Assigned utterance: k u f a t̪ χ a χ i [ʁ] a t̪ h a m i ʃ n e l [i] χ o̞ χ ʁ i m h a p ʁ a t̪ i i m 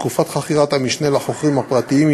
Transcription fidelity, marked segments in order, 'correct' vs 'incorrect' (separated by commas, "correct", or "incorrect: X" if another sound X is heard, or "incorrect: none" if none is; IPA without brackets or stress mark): correct, incorrect: a